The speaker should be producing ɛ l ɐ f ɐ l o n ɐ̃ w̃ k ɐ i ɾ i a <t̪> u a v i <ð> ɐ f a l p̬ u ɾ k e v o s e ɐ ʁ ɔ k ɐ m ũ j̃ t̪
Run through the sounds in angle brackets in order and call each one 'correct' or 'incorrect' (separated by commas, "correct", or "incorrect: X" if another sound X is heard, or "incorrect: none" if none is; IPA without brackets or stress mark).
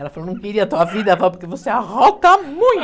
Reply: correct, correct